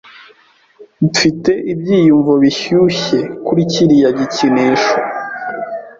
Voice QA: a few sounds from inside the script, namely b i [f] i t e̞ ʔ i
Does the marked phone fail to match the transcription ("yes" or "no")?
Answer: no